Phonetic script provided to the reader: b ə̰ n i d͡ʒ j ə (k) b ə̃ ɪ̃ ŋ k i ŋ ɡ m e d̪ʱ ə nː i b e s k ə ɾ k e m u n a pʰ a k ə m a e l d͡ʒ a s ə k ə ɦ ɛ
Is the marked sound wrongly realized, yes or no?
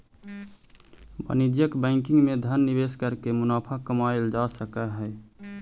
no